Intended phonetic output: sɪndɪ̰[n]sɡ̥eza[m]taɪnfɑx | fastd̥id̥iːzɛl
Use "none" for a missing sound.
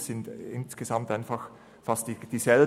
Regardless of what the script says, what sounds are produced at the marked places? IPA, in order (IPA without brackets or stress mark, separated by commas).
n, m